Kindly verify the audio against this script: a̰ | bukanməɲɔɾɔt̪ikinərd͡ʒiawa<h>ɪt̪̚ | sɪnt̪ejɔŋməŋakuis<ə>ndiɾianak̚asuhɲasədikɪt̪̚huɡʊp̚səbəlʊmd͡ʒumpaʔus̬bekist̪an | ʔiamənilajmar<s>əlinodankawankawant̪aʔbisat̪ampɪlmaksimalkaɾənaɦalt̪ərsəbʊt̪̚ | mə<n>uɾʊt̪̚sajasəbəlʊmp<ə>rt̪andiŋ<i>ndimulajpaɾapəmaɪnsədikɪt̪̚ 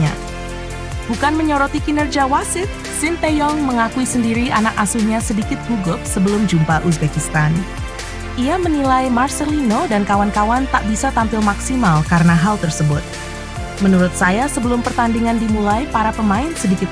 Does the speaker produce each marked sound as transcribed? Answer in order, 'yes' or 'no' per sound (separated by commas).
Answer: no, yes, yes, yes, yes, no